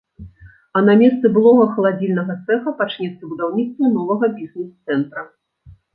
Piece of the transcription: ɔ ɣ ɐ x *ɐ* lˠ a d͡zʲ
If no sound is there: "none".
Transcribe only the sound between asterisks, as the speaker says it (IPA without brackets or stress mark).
ɐ